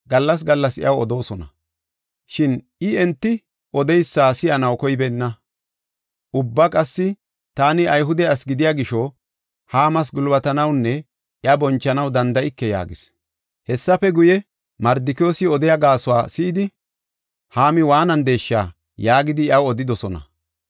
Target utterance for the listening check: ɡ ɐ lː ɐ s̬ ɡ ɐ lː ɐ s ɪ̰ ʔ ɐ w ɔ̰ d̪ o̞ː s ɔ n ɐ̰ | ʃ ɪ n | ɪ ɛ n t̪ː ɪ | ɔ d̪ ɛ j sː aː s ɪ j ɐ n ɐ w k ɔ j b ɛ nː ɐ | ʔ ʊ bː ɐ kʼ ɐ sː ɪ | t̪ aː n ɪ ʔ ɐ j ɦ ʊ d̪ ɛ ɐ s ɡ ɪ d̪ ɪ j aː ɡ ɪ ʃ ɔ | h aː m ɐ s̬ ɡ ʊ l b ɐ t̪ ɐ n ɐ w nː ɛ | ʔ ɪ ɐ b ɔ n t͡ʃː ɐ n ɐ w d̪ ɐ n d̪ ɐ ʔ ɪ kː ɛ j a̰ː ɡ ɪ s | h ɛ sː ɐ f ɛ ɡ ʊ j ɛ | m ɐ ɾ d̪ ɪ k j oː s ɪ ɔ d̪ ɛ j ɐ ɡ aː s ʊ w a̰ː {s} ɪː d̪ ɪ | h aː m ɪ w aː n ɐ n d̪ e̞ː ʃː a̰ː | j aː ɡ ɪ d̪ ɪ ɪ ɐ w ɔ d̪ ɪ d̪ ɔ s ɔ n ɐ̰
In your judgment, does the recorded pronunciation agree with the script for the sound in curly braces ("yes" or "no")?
yes